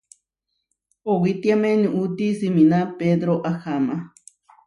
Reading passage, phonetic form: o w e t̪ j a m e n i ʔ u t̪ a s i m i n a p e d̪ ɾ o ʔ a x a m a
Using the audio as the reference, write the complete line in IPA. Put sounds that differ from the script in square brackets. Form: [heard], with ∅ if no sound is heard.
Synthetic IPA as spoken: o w [i] t̪ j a m e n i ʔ u t̪ [i] s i m i n a p e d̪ ɾ o ʔ a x a m a